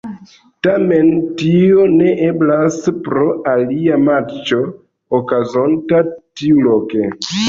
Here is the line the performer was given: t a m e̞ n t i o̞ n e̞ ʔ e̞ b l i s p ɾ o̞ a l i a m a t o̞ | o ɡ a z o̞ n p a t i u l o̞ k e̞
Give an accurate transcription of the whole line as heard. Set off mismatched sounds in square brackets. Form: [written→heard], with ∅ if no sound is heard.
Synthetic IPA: t a m e̞ n t i o̞ n e̞ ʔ e̞ b l [i→a] s p ɾ o̞ a l i a m a [t→t͡ʃ] o̞ | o [ɡ→k] a z o̞ n [p→t] a t i u l o̞ k e̞